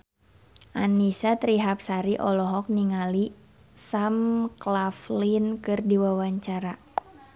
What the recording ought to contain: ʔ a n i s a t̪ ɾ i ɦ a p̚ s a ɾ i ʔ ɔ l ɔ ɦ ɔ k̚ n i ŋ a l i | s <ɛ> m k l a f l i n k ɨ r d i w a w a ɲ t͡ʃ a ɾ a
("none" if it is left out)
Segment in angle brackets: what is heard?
a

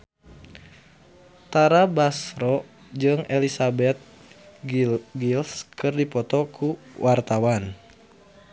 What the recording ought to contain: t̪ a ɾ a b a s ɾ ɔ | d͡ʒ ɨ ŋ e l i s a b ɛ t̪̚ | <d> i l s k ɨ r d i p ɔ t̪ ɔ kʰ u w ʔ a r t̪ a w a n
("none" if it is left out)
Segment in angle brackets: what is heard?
ɡ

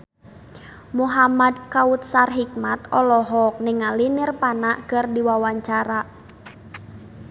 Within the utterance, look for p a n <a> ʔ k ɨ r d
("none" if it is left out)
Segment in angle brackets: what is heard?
a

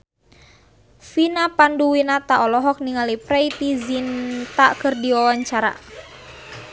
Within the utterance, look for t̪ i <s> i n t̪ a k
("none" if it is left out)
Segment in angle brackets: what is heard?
z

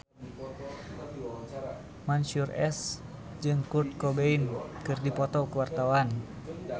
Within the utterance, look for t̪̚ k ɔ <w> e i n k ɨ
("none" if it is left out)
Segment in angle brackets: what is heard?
b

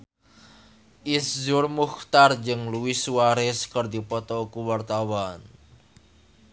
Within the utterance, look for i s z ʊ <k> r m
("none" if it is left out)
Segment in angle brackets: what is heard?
none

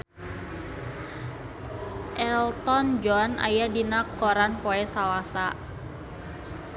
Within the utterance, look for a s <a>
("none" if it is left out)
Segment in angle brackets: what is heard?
a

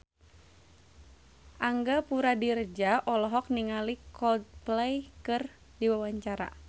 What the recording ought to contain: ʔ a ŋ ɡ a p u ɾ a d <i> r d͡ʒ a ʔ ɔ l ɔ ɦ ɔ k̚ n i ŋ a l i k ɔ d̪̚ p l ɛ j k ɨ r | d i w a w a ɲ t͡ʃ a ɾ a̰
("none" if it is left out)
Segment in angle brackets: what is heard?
i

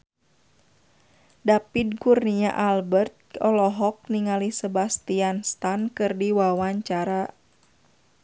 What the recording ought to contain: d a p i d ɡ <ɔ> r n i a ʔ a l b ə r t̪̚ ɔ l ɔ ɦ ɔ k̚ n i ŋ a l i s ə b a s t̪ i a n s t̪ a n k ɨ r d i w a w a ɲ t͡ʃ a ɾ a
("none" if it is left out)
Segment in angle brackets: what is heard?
u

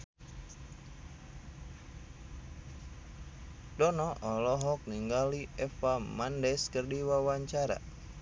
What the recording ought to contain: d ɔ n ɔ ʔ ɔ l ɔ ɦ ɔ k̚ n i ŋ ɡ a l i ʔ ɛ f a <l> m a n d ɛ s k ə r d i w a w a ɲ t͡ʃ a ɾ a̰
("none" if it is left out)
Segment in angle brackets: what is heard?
none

